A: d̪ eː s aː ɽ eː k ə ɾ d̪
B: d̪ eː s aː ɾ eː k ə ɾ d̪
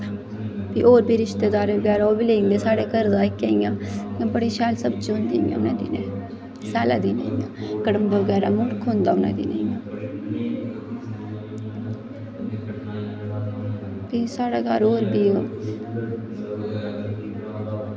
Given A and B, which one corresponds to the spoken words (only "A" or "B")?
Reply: A